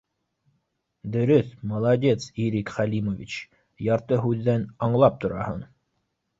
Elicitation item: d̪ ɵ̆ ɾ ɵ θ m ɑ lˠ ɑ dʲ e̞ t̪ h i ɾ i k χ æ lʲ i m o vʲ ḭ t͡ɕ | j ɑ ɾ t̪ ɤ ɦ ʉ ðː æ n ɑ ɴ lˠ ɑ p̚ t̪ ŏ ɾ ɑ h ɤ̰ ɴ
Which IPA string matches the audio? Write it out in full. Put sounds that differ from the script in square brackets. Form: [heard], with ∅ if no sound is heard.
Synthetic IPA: d̪ ɵ̆ ɾ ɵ θ m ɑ lˠ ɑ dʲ e̞ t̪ [s] i ɾ i k χ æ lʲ i m o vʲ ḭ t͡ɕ | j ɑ ɾ t̪ ɤ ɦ ʉ ðː æ n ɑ ɴ lˠ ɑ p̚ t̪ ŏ ɾ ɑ h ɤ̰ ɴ

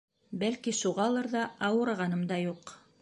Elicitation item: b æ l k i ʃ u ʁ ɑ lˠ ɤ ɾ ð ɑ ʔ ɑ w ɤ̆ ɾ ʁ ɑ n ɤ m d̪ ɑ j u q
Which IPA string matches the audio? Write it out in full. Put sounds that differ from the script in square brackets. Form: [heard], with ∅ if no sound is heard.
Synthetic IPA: b æ l k i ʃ u ʁ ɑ lˠ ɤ ɾ ð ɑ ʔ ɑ w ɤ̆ ɾ ʁ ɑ n ɤ m d̪ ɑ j u q

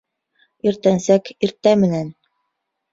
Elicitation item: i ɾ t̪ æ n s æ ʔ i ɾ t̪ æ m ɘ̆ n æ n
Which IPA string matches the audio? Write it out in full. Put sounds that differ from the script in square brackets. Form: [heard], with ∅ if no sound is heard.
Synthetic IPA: i ɾ t̪ æ n s æ [k] i ɾ t̪ æ m ɘ̆ n æ n

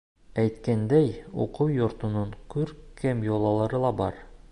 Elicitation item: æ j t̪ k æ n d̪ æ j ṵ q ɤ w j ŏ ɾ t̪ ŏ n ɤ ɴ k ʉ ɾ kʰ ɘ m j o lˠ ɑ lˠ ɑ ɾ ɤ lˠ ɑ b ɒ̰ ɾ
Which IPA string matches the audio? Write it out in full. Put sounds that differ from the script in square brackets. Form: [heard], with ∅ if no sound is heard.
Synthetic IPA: æ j t̪ k æ n d̪ æ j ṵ q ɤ w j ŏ ɾ t̪ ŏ n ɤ ɴ k ʉ ɾ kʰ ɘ m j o lˠ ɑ lˠ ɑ ɾ ɤ lˠ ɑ b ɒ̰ ɾ

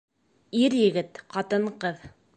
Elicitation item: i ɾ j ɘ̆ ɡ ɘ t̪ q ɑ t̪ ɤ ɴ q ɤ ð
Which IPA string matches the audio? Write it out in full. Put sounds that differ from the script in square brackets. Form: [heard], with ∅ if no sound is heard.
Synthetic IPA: i ɾ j ɘ̆ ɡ ɘ t̪ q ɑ t̪ ɤ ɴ q ɤ ð

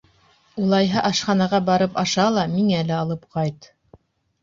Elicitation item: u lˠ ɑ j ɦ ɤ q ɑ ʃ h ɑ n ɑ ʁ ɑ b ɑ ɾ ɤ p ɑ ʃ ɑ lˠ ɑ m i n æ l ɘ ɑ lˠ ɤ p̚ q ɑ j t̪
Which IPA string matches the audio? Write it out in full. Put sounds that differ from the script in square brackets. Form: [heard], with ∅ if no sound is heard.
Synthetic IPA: u lˠ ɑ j ɦ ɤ [ʔ] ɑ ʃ [χ] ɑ n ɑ ʁ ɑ b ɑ ɾ ɤ p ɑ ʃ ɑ lˠ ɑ m i [ŋ] æ l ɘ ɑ lˠ ɤ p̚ q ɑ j t̪

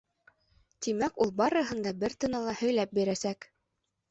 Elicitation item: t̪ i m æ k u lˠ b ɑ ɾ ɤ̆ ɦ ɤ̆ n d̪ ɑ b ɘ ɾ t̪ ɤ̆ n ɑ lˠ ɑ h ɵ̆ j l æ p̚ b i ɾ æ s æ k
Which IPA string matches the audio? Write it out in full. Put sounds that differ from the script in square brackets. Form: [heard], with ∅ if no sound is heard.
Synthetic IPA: t̪ i m æ k u lˠ b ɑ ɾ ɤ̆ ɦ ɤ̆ n d̪ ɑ b ɘ ɾ t̪ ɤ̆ n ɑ lˠ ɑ h ɵ̆ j l æ p̚ b i ɾ æ s æ k

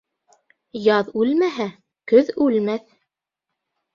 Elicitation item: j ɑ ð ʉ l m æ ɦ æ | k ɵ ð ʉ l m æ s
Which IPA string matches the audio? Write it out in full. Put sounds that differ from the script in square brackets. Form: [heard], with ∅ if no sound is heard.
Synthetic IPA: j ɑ ð ʉ l m æ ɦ æ | k ɵ ð ʉ l m æ [θ]

